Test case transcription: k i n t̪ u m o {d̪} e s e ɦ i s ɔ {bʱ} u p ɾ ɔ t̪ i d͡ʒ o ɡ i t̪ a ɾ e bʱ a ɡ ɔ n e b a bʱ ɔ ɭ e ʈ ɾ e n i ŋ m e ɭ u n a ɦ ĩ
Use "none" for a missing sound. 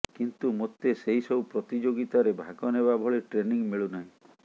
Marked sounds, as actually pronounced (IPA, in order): t̪, none

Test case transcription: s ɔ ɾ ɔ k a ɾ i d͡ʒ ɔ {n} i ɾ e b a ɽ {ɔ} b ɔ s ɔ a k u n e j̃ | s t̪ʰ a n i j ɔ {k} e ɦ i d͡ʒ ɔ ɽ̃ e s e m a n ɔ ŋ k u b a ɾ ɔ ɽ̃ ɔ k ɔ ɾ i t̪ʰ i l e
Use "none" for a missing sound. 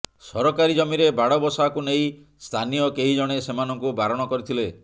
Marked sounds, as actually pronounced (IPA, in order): m, ɔ, k

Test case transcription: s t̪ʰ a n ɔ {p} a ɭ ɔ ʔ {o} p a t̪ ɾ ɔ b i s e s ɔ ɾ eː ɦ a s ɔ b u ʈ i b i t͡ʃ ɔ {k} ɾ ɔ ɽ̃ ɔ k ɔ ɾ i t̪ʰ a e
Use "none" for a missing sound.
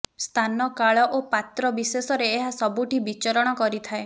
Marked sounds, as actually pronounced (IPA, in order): k, o, none

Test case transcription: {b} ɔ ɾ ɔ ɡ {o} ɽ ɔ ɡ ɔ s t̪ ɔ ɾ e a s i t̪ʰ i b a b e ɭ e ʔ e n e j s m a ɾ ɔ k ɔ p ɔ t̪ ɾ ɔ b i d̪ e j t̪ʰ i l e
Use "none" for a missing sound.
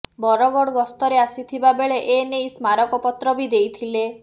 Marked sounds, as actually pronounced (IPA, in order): b, ɔ

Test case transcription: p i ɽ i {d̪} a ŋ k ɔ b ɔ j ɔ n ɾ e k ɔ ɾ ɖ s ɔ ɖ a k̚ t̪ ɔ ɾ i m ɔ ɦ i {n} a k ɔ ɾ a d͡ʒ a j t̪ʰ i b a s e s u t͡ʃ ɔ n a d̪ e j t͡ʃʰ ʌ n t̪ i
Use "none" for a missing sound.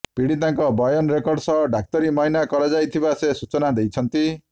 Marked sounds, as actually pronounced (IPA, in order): t̪, n

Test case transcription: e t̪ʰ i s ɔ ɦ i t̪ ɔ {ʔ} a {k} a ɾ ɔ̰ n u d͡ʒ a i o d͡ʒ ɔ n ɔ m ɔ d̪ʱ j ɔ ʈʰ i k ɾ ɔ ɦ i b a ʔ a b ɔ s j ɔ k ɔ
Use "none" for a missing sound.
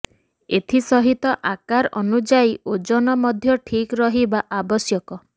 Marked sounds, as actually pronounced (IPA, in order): ʔ, k

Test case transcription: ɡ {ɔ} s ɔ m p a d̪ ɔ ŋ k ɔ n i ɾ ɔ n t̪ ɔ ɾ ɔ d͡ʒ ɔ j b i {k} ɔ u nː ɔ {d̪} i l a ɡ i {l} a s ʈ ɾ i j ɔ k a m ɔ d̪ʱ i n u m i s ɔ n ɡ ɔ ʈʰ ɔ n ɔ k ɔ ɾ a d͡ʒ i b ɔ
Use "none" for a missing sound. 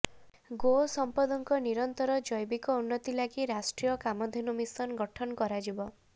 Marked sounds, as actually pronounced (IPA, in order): o, k, t̪, ɾ

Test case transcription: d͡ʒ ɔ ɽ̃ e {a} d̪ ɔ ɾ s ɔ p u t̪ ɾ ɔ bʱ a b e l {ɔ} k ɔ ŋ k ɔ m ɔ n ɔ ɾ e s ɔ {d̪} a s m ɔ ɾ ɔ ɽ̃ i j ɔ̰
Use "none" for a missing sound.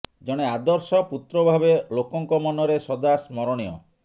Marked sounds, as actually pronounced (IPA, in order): a, o, d̪

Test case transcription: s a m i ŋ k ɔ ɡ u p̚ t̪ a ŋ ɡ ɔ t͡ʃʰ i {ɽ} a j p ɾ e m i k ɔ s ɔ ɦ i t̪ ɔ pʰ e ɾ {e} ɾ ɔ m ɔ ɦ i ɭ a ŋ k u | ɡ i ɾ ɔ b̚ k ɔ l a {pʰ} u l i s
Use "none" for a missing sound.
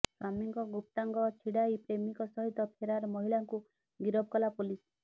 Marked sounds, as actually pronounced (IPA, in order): ɽ, a, p

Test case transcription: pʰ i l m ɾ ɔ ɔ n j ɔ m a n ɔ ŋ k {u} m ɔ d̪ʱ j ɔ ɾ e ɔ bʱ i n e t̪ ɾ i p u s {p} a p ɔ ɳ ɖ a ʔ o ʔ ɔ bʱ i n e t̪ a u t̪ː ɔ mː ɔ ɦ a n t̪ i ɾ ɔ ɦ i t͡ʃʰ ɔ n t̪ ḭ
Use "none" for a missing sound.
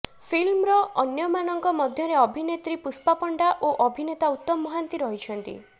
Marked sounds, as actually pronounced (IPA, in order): ɔ, p

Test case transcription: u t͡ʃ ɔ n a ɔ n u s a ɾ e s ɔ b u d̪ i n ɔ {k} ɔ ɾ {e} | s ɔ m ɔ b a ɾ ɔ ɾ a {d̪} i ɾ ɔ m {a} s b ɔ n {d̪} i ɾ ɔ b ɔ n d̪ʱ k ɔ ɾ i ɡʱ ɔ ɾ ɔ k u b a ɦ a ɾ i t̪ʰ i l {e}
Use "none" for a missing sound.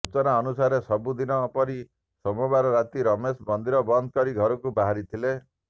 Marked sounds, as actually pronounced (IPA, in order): p, i, t̪, e, d̪, e

